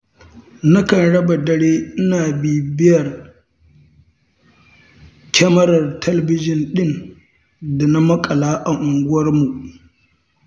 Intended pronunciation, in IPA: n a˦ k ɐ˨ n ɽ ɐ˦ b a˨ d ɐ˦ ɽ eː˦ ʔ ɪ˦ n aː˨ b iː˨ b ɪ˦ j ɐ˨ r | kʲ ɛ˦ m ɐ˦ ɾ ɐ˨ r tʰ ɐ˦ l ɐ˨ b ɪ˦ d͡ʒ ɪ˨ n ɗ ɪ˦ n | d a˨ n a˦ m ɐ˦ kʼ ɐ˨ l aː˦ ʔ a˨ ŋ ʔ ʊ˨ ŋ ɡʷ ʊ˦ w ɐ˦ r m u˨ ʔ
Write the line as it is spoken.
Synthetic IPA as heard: n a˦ k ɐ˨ n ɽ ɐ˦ b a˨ d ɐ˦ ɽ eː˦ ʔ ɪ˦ n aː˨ b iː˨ b ɪ˦ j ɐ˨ r | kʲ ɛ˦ m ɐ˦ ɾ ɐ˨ r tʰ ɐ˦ l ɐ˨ b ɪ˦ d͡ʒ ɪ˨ n ɗ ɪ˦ n | d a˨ n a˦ m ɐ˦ kʼ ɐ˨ l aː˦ ʔ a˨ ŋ ʔ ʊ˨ ŋ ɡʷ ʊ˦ w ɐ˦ r m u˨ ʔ